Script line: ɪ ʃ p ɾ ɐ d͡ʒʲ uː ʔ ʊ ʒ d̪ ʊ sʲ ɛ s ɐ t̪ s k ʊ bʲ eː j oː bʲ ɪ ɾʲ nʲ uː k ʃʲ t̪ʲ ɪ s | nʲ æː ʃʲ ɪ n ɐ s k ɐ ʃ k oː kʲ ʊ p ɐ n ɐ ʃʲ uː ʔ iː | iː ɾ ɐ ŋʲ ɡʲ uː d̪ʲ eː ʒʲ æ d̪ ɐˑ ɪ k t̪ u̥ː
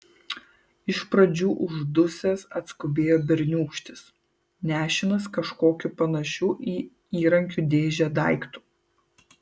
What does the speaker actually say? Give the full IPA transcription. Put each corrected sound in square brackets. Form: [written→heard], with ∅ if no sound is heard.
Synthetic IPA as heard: ɪ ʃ p ɾ ɐ d͡ʒʲ uː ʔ ʊ ʒ d̪ ʊ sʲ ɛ s ɐ t̪ s k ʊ bʲ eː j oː bʲ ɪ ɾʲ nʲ uː k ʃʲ t̪ʲ ɪ s | nʲ æː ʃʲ ɪ n ɐ s k ɐ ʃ k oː kʲ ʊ p ɐ n ɐ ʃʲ uː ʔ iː | iː ɾ ɐ ŋʲ [ɡʲ→kʲ] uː d̪ʲ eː ʒʲ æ d̪ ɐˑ ɪ k t̪ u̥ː